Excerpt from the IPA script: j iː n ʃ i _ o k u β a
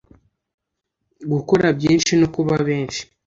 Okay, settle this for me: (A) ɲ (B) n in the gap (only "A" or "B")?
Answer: B